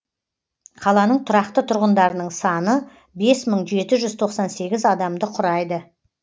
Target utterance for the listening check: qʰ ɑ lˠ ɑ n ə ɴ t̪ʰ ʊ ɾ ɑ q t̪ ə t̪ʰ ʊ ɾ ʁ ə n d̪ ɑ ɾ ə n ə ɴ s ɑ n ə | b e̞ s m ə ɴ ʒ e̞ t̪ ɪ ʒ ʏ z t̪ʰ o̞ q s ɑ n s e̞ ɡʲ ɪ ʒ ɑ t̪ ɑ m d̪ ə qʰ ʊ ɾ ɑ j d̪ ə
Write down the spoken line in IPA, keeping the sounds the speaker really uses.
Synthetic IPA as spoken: qʰ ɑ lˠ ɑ n ə ɴ t̪ʰ ʊ ɾ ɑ q t̪ ə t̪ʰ ʊ ɾ ʁ ə n d̪ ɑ ɾ ə n ə ɴ s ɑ n ə | b e̞ s m ə ɴ ʒ e̞ t̪ ɪ ʒ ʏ z t̪ʰ o̞ q s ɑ n s e̞ ɡʲ ɪ z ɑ d̪ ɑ m d̪ ə qʰ ʊ ɾ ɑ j d̪ ə